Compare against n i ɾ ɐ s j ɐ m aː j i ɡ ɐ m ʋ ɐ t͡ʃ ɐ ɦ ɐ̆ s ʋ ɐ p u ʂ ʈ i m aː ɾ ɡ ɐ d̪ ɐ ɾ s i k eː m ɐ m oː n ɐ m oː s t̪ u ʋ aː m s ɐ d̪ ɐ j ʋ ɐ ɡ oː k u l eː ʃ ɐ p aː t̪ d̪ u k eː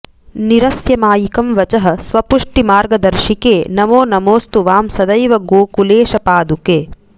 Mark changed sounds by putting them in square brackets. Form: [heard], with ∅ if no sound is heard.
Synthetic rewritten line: n i ɾ ɐ s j ɐ m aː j i [k] ɐ m ʋ ɐ t͡ʃ ɐ ɦ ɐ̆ s ʋ ɐ p u ʂ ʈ i m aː ɾ ɡ ɐ d̪ ɐ ɾ [ʃ] i k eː [n] ɐ m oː n ɐ m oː s t̪ u ʋ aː m s ɐ d̪ ɐ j ʋ ɐ ɡ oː k u l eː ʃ ɐ p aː [∅] d̪ u k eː